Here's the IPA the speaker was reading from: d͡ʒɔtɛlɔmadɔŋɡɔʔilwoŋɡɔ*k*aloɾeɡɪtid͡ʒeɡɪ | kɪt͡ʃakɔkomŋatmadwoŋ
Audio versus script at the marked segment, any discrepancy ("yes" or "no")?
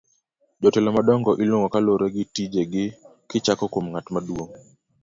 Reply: no